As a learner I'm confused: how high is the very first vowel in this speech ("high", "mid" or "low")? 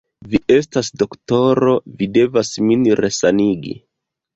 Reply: high